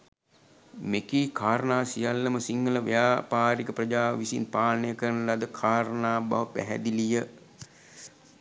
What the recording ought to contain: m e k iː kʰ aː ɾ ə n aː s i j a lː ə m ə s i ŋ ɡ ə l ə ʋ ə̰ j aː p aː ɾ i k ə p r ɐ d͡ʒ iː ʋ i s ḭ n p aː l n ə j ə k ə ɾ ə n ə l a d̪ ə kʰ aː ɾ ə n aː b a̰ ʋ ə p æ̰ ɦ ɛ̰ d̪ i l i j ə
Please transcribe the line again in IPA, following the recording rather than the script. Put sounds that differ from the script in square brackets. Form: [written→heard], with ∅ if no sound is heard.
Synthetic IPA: m e k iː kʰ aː ɾ ə n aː s i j a lː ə m ə s i ŋ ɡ ə l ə ʋ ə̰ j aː p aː ɾ i k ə p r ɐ d͡ʒ [iː→aː] ʋ i s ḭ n p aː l n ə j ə k ə ɾ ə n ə l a d̪ ə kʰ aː ɾ ə n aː b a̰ ʋ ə p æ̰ ɦ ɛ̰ d̪ i l i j ə